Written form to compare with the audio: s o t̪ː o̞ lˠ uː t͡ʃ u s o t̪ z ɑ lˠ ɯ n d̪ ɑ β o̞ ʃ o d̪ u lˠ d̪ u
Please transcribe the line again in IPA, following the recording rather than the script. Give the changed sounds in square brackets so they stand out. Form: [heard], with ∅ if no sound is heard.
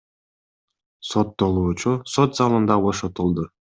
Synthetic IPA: s o t̪ː o̞ lˠ uː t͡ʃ u s o t̪ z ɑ lˠ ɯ n d̪ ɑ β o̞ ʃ o [t̪] u lˠ d̪ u